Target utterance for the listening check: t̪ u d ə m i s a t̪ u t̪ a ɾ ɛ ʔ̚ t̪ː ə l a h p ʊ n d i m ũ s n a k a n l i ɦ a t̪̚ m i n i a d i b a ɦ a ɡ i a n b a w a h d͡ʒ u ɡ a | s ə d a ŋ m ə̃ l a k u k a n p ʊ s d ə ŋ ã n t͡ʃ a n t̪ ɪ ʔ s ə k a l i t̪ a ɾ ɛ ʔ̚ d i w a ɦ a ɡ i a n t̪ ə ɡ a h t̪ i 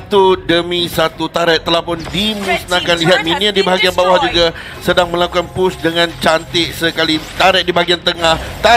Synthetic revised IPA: t̪ u d ə m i s a t̪ u t̪ a ɾ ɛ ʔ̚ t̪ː ə l a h p ʊ n d i m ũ s n a k a n l i ɦ a t̪̚ m i n i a d i b a ɦ a ɡ i a n b a w a h d͡ʒ u ɡ a | s ə d a ŋ m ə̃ l a k u k a n p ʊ s d ə ŋ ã n t͡ʃ a n t̪ ɪ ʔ s ə k a l i t̪ a ɾ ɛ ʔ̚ d i b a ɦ a ɡ i a n t̪ ə ŋ a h t̪ a